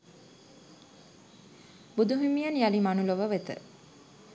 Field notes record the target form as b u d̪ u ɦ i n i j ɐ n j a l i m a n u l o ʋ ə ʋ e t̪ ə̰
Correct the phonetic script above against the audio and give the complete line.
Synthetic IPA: b u d̪ u ɦ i m i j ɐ n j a l i m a n u l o ʋ ə ʋ e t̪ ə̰